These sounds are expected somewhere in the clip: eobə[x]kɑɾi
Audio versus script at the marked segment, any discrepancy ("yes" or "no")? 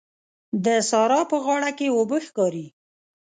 no